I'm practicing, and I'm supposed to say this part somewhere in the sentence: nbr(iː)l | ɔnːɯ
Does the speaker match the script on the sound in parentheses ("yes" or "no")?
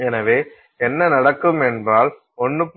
no